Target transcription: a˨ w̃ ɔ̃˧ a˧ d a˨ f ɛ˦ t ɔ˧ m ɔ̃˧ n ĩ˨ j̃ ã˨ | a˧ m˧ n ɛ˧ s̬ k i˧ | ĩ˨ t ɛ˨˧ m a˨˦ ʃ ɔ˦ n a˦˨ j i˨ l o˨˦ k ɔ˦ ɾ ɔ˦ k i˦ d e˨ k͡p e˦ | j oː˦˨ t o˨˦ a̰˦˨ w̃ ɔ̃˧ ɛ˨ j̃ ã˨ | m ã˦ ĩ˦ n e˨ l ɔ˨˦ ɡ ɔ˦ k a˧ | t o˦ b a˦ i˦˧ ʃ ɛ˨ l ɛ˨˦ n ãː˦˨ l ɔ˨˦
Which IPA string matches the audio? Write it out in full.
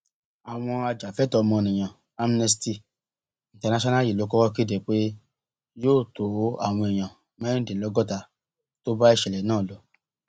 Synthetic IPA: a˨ w̃ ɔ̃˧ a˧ d͡ʒ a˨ f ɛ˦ t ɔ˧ m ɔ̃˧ n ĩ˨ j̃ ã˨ | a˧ m˧ n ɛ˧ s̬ t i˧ | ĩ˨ t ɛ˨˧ n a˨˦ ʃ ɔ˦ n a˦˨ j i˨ l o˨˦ k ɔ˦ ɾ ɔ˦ k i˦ d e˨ k͡p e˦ | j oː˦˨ t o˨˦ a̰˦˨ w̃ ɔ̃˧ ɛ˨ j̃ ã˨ | m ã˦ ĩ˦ d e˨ l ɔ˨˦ ɡ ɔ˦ t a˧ | t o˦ b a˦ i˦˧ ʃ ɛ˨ l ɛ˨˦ n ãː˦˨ l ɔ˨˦